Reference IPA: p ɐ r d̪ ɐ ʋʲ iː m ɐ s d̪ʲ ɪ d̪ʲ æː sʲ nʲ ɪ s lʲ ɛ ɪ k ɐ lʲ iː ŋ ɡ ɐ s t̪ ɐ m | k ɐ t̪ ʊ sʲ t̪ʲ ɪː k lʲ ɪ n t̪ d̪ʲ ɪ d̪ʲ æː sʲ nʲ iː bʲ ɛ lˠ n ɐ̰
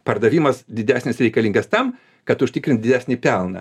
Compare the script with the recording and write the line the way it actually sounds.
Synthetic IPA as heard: p ɐ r d̪ ɐ ʋʲ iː m ɐ s d̪ʲ ɪ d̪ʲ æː sʲ nʲ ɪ s ɾʲ ɛ ɪ k ɐ lʲ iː ŋ ɡ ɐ s t̪ ɐ m | k ɐ t̪ ʊ ʃʲ t̪ʲ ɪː k ɾʲ ɪ n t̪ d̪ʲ ɪ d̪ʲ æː sʲ nʲ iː pʲ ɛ lˠ n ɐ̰